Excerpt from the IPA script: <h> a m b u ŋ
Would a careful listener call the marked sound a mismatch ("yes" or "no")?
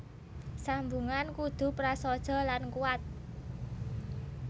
yes